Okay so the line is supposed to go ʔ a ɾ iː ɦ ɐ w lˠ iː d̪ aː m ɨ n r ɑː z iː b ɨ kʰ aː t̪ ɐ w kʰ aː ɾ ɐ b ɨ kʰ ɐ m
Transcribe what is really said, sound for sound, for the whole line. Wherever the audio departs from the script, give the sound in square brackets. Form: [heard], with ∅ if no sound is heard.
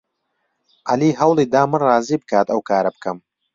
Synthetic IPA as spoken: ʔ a [l] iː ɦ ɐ w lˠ iː d̪ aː m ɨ n r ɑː z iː b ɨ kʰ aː t̪ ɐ w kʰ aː ɾ ɐ b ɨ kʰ ɐ m